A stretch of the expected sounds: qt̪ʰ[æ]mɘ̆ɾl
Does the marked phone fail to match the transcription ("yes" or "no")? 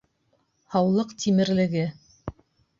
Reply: yes